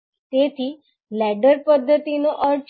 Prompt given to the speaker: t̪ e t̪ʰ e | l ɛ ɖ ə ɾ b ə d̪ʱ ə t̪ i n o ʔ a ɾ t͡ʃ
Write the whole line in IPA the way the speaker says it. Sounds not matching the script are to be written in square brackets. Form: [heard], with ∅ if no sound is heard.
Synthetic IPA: t̪ e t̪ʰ [i] | l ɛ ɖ ə ɾ [p] ə [d̪ʱː] ə t̪ i n o ʔ [ə] ɾ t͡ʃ